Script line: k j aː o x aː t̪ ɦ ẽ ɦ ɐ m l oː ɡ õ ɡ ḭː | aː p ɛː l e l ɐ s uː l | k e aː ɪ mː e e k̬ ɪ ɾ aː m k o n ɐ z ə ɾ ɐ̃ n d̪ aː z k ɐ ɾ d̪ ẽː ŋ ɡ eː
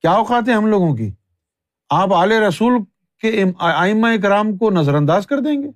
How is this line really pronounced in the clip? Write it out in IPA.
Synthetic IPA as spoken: k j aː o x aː t̪ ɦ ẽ ɦ ɐ m l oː ɡ õ k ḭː | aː p aː l e ɾ ɐ s uː l | k e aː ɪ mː a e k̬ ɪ ɾ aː m k o n ɐ z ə ɾ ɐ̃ n d̪ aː z k ɐ ɾ d̪ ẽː ŋ ɡ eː